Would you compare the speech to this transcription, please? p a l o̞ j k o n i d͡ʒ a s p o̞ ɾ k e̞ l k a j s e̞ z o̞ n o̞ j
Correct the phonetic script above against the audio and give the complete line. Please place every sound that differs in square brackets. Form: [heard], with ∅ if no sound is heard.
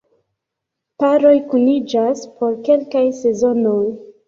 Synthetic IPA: p a [ɾ] o̞ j k [u] n i d͡ʒ a s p o̞ ɾ k e̞ l k a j s e̞ z o̞ n o̞ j

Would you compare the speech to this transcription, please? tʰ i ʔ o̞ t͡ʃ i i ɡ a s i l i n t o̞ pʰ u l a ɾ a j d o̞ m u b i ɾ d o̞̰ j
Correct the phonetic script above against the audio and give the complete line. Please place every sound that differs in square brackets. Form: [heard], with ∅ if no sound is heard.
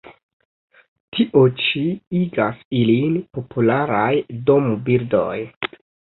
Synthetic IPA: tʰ i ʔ o̞ t͡ʃ i i ɡ a s i l i n [p] o̞ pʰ u l a ɾ a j d o̞ m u b i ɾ d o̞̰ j

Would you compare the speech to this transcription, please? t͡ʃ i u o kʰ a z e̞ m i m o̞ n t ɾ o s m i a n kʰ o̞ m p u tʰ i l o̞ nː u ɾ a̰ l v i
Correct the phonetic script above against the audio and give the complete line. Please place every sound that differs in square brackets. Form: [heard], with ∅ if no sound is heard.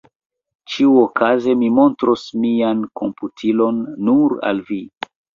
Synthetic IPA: t͡ʃ i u o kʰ a z e̞ m i m o̞ n t ɾ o s m i a n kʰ o̞ m p u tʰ i l o̞ nː u ɾ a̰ l v i

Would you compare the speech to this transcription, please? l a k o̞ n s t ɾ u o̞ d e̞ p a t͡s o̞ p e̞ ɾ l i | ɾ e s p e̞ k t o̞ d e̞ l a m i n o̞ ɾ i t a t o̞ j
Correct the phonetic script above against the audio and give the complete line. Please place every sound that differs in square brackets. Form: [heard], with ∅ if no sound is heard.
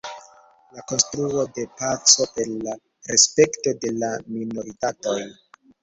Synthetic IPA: l a k o̞ n s t ɾ u o̞ d e̞ p a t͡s o̞ p e̞ ɾ l [a] | ɾ e s p e̞ k t o̞ d e̞ l a m i n o̞ ɾ i t a t o̞ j

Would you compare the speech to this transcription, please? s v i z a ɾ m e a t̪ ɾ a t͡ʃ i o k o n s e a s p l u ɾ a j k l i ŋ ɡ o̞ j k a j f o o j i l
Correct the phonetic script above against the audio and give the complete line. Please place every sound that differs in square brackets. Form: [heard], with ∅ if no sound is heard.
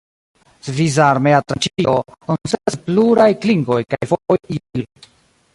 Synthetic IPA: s v i z a ɾ m e a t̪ ɾ a t͡ʃ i o k o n s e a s p l u ɾ a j k l i ŋ ɡ o̞ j k a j f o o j i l

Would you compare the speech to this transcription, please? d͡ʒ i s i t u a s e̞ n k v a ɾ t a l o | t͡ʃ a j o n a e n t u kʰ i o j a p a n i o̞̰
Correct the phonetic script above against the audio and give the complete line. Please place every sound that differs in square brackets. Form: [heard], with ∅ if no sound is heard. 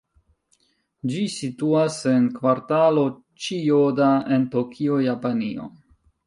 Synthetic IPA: d͡ʒ i s i t u a s e̞ n k v a ɾ t a l o | t͡ʃ [i] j o [d] a e n t [o] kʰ i o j a p a n i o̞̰

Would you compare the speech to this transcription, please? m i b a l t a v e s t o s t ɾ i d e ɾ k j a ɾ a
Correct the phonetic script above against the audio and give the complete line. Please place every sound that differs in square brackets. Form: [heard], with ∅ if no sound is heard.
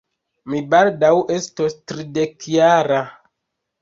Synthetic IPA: m i b a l [d] a [w] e s t o s t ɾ i d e [∅] k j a ɾ a

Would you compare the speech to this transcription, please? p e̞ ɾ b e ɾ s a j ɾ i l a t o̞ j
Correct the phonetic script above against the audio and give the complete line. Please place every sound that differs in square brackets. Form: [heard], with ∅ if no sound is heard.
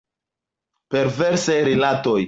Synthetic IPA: p e̞ ɾ [v] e ɾ s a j ɾ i l a t o̞ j

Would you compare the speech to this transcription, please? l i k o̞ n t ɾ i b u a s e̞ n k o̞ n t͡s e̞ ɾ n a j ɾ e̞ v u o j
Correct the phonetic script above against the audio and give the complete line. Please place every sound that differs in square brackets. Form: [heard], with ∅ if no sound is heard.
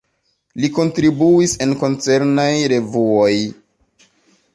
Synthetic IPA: l i k o̞ n t ɾ i b u [i] s e̞ n k o̞ n t͡s e̞ ɾ n a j ɾ e̞ v u o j

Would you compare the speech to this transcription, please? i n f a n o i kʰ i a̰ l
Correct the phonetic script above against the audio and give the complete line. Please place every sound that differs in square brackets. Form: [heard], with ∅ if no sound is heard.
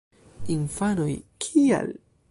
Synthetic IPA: i n f a n o [j] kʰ i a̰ l

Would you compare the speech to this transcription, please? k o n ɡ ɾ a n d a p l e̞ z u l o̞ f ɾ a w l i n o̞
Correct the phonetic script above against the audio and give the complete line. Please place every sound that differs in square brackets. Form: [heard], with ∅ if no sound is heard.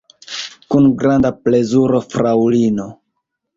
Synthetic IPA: k [u] n ɡ ɾ a n d a p l e̞ z u [ɾ] o̞ f ɾ a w l i n o̞

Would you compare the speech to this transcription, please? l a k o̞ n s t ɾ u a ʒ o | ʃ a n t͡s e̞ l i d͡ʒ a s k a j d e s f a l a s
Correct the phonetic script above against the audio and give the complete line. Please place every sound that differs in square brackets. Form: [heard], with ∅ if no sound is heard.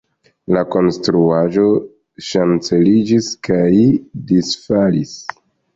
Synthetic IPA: l a k o̞ n s t ɾ u a ʒ o | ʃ a n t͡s e̞ l i d͡ʒ [i] s k a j d [i] s f a l [i] s

